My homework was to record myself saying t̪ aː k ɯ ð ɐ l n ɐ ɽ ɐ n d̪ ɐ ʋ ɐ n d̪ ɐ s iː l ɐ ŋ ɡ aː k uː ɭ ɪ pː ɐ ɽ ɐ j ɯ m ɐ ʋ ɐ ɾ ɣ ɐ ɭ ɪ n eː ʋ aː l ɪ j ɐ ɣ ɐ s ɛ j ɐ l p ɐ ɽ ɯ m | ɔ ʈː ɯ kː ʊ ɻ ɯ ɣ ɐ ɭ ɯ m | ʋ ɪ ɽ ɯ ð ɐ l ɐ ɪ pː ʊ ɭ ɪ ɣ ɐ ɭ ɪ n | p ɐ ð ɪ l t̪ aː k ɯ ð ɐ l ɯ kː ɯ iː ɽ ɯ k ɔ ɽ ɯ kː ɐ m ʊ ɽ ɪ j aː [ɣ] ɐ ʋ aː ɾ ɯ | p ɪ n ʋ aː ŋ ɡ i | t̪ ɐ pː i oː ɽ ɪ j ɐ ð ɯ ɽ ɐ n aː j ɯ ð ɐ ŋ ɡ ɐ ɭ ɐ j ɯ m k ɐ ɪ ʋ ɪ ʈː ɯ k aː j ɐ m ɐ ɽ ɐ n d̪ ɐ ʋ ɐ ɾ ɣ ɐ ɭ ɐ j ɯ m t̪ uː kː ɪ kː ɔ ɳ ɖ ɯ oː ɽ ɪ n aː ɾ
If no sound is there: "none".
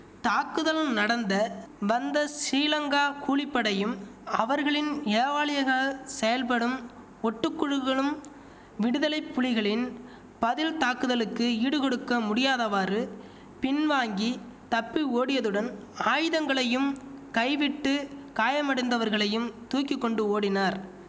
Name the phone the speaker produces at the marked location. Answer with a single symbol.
ð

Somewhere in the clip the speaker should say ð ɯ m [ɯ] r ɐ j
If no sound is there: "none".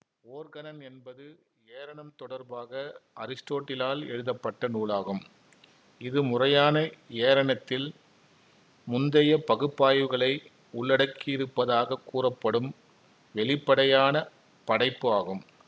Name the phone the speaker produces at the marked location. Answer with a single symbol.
ʊ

